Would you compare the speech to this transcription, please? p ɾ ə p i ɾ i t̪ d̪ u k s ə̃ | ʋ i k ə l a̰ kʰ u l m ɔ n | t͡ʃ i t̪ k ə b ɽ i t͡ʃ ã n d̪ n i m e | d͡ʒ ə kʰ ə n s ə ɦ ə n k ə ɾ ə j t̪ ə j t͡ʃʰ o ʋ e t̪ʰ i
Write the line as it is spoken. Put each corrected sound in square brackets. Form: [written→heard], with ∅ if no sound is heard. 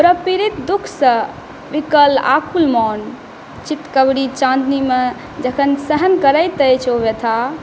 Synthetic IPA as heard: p ɾ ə p i ɾ i t̪ d̪ u [k→kʰ] s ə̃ | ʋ i k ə l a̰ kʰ u l m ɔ n | t͡ʃ i t̪ k ə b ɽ i t͡ʃ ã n d̪ n i m e | d͡ʒ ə kʰ ə n s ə ɦ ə n k ə ɾ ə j t̪ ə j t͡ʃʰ o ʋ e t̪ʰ [i→a]